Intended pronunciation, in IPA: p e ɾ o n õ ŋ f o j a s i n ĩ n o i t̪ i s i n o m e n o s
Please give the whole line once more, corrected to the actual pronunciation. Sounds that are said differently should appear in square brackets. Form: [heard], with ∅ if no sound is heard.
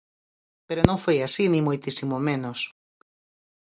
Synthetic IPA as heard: p e ɾ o n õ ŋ f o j a s i n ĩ [m] o [j] t̪ i s i [m] o m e n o s